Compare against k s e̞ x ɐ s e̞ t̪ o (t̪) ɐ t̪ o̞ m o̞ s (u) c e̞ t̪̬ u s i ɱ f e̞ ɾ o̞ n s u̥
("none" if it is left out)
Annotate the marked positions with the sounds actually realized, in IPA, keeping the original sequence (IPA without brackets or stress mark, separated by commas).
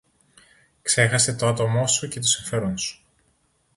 none, u